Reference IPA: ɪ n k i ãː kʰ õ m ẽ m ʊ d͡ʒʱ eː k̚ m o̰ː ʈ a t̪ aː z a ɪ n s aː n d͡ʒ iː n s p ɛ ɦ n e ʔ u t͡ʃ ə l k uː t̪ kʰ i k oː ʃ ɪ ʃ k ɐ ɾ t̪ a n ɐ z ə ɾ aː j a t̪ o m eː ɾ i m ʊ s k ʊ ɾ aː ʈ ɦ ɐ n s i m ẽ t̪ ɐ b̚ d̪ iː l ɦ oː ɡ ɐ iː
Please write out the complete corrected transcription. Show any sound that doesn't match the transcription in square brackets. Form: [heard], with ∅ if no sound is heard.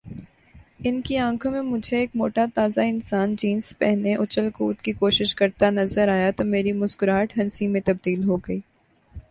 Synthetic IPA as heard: ɪ n k i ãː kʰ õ m ẽ m ʊ d͡ʒʱ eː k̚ m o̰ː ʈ a t̪ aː z a ɪ n s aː n d͡ʒ iː n s p ɛ ɦ n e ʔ [ʊ] t͡ʃ ə l k uː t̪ [k] i k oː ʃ ɪ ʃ k ɐ ɾ t̪ a n ɐ z ə ɾ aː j a t̪ o m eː ɾ i m ʊ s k ʊ ɾ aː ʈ ɦ ɐ n s i m ẽ t̪ ɐ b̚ d̪ iː l ɦ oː ɡ ɐ iː